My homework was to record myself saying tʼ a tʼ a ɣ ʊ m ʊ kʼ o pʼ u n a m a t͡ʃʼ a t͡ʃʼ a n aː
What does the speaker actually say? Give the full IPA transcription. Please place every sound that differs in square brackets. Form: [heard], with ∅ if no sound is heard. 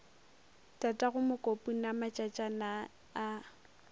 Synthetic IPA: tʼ a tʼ a ɣ ʊ m ʊ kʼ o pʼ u n a m a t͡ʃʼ a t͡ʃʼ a n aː